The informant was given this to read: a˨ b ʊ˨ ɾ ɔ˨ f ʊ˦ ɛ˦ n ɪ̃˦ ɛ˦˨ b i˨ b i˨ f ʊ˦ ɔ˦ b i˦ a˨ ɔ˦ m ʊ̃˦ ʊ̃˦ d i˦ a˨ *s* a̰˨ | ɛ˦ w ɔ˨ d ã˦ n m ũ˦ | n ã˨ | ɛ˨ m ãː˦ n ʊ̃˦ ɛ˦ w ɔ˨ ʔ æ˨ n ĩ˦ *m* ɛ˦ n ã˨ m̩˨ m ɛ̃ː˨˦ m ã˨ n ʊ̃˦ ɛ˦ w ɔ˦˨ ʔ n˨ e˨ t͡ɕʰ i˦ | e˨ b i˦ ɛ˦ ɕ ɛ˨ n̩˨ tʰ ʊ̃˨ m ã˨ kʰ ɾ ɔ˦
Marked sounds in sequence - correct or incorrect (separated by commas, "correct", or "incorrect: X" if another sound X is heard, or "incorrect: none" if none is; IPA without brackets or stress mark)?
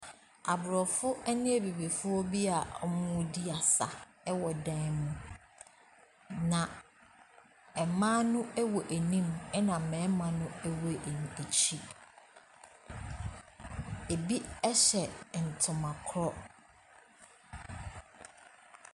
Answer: correct, correct